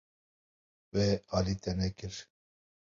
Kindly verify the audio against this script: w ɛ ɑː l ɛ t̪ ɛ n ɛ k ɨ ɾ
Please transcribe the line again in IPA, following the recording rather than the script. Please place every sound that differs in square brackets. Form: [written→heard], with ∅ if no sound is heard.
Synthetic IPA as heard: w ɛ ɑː l [ɛ→i] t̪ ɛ n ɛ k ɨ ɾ